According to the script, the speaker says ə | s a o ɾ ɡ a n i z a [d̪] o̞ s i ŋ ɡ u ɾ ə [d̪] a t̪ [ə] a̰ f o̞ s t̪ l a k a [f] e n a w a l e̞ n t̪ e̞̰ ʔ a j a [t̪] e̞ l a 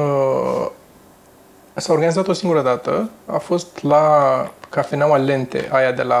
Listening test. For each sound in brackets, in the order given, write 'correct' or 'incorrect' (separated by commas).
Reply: incorrect, correct, correct, correct, incorrect